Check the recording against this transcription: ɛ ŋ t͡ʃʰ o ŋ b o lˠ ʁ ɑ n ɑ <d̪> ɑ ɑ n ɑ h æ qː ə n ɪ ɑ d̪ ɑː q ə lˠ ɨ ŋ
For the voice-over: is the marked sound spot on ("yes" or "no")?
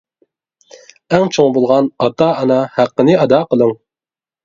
no